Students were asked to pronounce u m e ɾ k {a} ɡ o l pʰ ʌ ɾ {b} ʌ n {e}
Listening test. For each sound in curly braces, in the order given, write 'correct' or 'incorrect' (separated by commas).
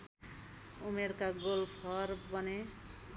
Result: correct, correct, correct